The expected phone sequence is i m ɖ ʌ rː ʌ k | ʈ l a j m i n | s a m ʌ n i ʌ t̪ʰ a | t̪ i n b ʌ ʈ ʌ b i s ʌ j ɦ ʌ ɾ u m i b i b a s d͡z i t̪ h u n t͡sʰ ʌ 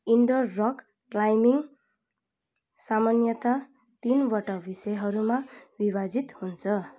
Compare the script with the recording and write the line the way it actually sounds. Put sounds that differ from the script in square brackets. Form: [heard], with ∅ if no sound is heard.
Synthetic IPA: i [ɳ] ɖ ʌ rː ʌ k | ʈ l a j m i [ŋ] | s a m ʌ n [j] ʌ [t̪] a | t̪ i n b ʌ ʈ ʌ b i s ʌ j ɦ ʌ ɾ u m [a] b i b a [∅] d͡z i t̪ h u n t͡sʰ ʌ